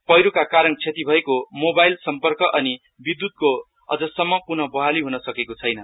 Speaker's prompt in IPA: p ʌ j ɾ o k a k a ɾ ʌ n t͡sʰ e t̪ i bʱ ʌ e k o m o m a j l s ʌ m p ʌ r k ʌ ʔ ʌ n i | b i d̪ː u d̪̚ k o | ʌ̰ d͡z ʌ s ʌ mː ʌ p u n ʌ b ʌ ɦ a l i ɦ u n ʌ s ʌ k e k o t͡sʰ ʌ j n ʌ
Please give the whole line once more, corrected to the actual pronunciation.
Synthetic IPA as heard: p ʌ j ɾ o k a k a ɾ ʌ n t͡sʰ e t̪ i bʱ ʌ e k o m o b a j l s ʌ m p ʌ r k ʌ ʔ ʌ n i | b i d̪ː u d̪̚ k o | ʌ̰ d͡z ʌ s ʌ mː ʌ p u n ʌ b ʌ ɦ a l i ɦ u n ʌ s ʌ k e k o t͡sʰ ʌ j n ʌ